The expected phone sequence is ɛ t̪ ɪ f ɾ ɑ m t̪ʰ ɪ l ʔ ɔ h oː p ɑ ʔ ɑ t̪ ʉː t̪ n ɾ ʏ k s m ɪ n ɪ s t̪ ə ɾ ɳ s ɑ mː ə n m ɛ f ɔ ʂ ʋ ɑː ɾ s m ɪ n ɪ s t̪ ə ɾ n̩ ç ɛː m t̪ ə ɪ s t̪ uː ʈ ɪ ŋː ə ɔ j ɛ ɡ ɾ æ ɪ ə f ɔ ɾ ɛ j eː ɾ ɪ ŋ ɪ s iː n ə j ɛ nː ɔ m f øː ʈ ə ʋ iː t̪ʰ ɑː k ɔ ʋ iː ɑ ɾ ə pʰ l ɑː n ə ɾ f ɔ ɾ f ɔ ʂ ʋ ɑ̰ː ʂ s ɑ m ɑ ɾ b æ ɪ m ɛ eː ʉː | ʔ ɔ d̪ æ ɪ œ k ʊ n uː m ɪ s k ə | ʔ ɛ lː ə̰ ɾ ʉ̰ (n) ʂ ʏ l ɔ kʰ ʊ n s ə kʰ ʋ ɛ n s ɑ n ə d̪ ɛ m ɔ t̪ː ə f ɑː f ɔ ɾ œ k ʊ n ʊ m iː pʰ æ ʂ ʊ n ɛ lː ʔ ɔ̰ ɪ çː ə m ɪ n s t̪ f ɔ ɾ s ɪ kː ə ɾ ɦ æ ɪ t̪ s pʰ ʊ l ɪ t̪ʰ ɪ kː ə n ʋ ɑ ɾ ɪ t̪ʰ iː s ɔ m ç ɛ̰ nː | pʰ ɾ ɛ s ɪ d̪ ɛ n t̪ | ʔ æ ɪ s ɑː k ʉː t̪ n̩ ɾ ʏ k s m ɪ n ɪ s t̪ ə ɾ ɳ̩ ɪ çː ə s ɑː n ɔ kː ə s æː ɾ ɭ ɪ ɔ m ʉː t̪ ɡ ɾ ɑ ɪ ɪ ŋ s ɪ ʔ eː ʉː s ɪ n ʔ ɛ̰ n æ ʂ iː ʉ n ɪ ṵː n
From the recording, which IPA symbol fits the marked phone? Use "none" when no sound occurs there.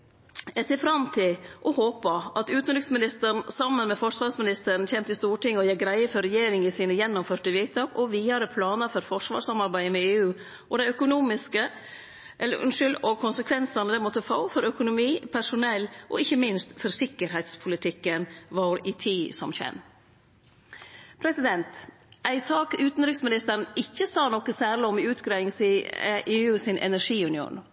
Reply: n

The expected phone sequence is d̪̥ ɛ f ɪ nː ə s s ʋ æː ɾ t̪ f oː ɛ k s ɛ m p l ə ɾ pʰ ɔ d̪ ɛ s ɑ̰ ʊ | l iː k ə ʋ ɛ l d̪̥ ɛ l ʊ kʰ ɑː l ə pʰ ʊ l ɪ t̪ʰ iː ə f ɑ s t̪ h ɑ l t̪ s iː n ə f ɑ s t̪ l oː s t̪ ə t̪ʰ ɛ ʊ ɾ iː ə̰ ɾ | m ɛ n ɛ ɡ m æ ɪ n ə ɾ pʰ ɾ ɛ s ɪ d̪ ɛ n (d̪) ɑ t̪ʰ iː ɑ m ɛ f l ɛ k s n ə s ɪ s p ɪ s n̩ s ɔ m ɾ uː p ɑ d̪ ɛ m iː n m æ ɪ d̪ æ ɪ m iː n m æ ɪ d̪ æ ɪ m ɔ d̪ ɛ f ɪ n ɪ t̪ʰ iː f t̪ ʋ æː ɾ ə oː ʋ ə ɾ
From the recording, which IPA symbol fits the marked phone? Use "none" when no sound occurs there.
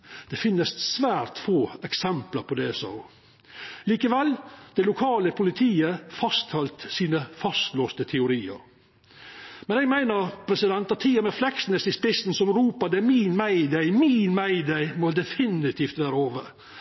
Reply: t̪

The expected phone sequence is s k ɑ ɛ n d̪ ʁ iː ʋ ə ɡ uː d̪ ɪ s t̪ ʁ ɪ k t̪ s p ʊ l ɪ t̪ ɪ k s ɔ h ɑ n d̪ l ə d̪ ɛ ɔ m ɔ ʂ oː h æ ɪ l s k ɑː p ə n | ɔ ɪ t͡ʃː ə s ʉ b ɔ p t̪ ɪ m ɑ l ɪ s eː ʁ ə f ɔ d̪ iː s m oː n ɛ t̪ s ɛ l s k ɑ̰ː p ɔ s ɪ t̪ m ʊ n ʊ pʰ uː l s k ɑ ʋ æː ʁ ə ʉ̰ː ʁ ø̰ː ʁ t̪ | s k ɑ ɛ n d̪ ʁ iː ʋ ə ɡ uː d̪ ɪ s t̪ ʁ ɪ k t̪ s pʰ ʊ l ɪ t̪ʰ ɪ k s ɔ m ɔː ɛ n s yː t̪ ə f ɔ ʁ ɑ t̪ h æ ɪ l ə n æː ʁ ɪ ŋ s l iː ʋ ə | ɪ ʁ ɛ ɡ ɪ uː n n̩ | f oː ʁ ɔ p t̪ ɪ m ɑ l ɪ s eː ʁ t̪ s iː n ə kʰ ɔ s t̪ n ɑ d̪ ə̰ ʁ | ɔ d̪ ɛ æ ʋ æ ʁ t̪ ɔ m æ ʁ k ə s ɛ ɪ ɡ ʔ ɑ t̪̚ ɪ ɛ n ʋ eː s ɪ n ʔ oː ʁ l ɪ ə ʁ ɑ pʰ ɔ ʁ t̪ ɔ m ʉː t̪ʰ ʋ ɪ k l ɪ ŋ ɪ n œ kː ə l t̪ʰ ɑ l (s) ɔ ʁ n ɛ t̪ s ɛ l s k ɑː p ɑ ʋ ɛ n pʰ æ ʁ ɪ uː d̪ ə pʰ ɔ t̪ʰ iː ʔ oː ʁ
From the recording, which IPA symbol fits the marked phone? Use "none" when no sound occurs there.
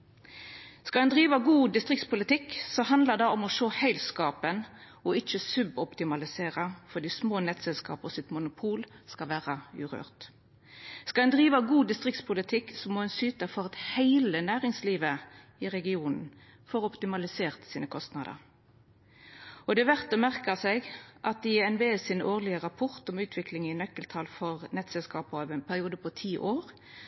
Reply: f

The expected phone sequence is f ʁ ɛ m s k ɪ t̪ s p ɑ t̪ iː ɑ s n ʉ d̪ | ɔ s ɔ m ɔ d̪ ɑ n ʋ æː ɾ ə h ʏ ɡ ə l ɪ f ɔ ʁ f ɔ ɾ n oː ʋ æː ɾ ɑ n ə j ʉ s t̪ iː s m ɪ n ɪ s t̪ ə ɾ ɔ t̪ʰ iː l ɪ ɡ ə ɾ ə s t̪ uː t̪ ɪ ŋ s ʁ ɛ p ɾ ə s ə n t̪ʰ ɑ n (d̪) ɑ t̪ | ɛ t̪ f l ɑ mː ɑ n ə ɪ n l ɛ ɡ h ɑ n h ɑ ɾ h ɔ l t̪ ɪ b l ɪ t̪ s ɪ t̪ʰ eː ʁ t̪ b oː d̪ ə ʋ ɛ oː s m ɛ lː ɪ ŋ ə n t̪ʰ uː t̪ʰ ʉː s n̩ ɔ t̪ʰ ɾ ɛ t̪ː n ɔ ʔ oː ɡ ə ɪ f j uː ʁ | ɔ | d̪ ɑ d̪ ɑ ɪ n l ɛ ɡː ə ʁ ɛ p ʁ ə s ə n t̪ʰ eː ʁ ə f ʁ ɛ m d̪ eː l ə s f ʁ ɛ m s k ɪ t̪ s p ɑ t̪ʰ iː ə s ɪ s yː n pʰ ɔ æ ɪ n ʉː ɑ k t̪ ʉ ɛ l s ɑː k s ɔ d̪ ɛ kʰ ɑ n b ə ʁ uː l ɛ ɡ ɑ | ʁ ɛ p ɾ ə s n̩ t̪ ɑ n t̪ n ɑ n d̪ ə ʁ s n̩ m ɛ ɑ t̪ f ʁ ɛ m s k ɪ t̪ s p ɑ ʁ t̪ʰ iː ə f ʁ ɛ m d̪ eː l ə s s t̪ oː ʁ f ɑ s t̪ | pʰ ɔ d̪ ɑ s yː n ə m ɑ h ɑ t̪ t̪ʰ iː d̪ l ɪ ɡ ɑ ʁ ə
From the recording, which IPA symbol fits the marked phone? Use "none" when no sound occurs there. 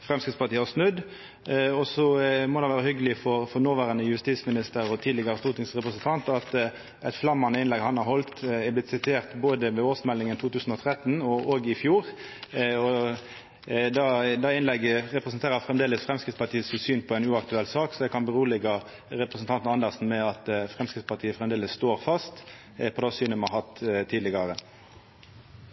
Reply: t̪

